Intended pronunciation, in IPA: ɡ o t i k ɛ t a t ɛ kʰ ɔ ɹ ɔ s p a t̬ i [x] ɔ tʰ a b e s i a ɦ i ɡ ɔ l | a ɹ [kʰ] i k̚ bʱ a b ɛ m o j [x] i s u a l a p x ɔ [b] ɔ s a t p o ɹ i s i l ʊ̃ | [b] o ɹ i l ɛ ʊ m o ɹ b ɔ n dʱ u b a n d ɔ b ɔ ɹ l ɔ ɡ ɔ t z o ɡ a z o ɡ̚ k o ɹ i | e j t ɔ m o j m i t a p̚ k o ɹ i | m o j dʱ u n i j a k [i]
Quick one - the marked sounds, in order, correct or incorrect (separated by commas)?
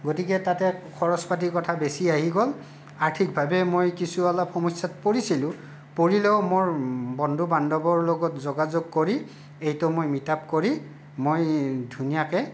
incorrect, incorrect, incorrect, incorrect, incorrect, incorrect